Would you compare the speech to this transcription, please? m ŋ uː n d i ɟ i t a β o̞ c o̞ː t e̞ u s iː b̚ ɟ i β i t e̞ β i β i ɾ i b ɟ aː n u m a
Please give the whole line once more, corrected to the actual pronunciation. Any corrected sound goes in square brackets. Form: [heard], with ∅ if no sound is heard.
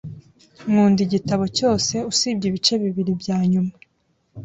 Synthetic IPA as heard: m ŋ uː n d i ɟ i t a β o̞ c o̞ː [s] e̞ u s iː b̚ ɟ i β i [t͡ʃ] e̞ β i β i ɾ i b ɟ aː [ɲ] u m a